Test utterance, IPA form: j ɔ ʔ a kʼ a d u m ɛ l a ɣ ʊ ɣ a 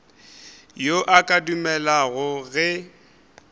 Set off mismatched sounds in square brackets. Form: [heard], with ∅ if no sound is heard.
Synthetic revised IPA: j [o] ʔ a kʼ a d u m ɛ l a ɣ ʊ ɣ [ɛ]